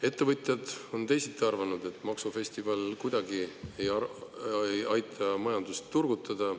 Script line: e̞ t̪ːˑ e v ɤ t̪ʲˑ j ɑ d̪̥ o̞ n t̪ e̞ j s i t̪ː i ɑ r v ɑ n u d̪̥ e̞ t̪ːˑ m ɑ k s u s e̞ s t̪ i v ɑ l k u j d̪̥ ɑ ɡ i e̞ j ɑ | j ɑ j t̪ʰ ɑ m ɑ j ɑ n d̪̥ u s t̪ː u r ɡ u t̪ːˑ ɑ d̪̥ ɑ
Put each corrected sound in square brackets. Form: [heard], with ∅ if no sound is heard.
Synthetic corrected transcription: e̞ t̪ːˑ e v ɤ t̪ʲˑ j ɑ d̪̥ o̞ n t̪ e̞ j s i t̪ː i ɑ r v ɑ n u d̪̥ e̞ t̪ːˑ m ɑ k s u [f] e̞ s t̪ i v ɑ l k u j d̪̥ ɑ ɡ i e̞ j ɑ | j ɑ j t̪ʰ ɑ m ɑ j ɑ n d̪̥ u s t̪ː u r ɡ u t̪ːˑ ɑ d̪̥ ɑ